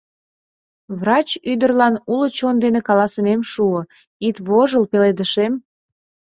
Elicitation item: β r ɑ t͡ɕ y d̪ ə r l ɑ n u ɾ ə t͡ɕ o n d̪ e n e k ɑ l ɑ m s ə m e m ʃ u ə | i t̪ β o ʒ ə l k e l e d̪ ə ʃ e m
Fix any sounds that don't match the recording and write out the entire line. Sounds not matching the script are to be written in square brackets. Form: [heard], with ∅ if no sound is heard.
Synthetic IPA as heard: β r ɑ t͡ɕ y d̪ ə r l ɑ n u [l] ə t͡ɕ o n d̪ e n e k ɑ l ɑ [∅] s ə m e m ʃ u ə | i t̪ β o ʒ ə l [p] e l e d̪ ə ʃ e m